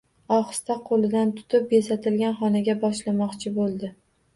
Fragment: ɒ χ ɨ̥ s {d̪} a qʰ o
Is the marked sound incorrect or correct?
incorrect